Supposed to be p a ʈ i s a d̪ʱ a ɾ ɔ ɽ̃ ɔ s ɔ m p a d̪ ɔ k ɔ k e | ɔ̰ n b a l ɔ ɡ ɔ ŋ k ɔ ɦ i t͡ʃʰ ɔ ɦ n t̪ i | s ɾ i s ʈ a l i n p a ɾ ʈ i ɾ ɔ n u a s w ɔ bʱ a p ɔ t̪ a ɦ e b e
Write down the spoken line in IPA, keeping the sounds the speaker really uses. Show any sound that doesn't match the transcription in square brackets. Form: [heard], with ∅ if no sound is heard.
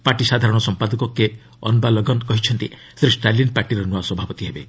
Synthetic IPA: p a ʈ i s a d̪ʱ a ɾ ɔ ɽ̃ ɔ s ɔ m p a d̪ ɔ k ɔ k e | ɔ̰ n b a l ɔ ɡ ɔ [n] k ɔ ɦ i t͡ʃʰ ɔ [∅] n t̪ i | s ɾ i s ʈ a l i n p a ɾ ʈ i ɾ ɔ n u a s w ɔ bʱ a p ɔ t̪ [i] ɦ e b e